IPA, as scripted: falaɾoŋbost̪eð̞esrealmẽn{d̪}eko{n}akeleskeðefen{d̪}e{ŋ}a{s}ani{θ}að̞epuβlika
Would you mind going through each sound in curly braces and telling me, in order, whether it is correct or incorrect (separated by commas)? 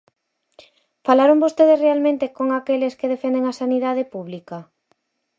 incorrect, incorrect, correct, correct, correct, incorrect